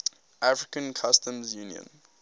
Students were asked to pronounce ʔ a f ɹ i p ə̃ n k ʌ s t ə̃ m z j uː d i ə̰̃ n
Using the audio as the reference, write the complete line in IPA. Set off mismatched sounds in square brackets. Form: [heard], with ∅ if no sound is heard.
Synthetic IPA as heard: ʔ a f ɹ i [k] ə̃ n [kʰ] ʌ s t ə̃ m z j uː [n] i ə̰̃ n